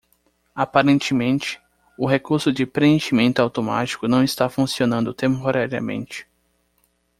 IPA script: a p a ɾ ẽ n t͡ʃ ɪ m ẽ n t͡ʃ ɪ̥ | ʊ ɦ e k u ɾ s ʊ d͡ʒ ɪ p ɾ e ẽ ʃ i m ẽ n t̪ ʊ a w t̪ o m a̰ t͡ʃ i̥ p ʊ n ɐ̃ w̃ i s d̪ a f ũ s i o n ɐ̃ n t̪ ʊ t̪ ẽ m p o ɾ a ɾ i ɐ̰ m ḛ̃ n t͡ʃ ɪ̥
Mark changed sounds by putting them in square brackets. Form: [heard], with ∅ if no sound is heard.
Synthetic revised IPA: a p a ɾ ẽ n t͡ʃ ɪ m ẽ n t͡ʃ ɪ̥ | ʊ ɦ e k u ɾ s ʊ d͡ʒ ɪ p ɾ e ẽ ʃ i m ẽ n t̪ ʊ a w t̪ o m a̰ t͡ʃ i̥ [k] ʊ n ɐ̃ w̃ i s [t̪] a f ũ s i o n ɐ̃ n [d̪] ʊ t̪ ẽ m p o ɾ a ɾ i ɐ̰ m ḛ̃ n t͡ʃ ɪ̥